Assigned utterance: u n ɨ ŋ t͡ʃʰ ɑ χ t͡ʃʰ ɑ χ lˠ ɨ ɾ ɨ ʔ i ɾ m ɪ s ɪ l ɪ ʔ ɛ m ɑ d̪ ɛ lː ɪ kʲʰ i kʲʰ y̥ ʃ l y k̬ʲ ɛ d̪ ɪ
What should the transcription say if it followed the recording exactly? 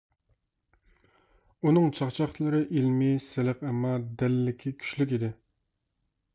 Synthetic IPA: u n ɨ ŋ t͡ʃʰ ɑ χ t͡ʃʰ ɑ χ lˠ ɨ ɾ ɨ ʔ i l m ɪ s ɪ l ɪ q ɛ m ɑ d̪ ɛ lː ɪ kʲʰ i kʲʰ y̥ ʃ l y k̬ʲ i d̪ ɪ